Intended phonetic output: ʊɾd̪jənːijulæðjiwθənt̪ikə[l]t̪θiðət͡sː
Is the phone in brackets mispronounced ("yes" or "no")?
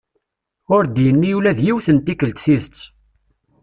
no